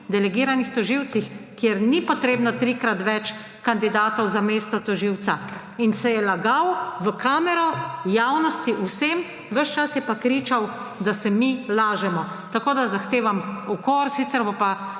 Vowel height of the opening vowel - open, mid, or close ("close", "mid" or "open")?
mid